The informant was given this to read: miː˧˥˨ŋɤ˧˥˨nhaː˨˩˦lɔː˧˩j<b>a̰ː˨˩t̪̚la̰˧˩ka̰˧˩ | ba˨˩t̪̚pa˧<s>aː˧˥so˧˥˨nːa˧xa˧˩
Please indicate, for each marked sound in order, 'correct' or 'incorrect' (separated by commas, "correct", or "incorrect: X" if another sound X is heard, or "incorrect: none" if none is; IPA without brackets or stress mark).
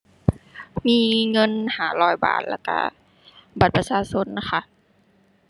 correct, correct